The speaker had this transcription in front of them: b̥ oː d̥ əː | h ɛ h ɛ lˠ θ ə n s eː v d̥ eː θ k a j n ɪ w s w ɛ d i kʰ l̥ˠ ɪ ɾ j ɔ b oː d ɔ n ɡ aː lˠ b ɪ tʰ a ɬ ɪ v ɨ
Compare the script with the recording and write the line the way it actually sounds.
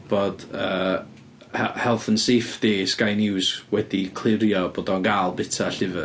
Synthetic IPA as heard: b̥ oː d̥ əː | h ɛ h ɛ lˠ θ ə n s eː f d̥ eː s k a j n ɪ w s w ɛ d i kʰ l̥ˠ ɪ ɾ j ɔ b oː d ɔ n ɡ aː lˠ b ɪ tʰ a ɬ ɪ v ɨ